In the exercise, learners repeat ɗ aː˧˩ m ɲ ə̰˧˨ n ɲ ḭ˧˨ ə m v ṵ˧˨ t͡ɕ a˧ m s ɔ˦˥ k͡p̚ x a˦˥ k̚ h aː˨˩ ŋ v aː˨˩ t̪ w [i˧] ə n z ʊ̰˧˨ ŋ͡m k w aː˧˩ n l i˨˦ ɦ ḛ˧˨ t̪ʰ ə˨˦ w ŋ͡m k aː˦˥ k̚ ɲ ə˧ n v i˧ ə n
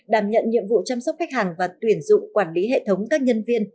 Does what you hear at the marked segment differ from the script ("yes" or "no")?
yes